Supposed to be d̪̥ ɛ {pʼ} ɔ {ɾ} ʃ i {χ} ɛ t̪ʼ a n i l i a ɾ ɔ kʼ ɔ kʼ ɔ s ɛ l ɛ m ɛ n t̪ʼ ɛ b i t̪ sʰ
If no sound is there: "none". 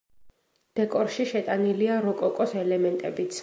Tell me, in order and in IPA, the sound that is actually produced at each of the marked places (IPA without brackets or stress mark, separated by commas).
kʼ, ɾ, ʃ